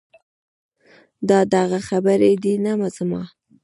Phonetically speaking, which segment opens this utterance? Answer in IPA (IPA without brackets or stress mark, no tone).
d̪